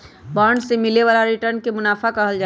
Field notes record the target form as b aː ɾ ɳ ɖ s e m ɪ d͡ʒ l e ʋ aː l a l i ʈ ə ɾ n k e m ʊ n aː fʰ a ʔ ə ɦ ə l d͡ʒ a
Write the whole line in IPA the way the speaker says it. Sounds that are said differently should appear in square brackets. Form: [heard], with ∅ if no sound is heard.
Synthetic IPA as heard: b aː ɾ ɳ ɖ s e m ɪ [∅] l e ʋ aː l a [ɾ] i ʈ ə ɾ n k e m ʊ n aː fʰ a [k] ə ɦ ə l d͡ʒ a